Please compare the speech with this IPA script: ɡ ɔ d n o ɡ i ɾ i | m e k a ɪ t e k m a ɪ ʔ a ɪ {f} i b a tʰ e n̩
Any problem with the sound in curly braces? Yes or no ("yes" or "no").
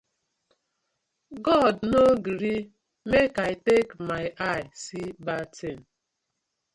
yes